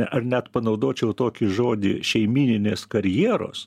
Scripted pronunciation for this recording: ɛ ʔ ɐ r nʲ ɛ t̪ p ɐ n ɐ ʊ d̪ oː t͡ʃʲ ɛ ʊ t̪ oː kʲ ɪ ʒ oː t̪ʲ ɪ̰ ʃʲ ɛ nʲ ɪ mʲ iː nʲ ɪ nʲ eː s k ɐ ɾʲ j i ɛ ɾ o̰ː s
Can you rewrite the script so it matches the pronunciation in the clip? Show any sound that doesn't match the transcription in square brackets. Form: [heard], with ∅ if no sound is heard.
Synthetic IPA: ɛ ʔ ɐ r nʲ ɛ t̪ p ɐ n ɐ ʊ d̪ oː t͡ʃʲ ɛ ʊ t̪ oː kʲ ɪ ʒ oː [d̪ʲ] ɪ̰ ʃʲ ɛ [∅] ɪ mʲ iː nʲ ɪ nʲ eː s k ɐ ɾʲ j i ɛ ɾ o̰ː s